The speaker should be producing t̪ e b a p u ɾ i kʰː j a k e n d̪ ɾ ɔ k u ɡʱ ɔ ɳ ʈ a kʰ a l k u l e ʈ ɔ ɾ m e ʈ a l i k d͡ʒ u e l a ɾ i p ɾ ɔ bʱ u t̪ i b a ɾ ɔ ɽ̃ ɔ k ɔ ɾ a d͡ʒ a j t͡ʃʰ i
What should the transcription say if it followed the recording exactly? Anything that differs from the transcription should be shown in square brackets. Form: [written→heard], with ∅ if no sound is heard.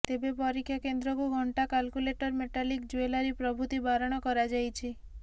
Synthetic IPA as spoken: t̪ e b [a→e] p [u→ɔ] ɾ i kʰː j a k e n d̪ ɾ ɔ k u ɡʱ ɔ ɳ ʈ a [kʰ→k] a l k u l e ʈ ɔ ɾ m e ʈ a l i k d͡ʒ u e l a ɾ i p ɾ ɔ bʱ u t̪ i b a ɾ ɔ ɽ̃ ɔ k ɔ ɾ a d͡ʒ a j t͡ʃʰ i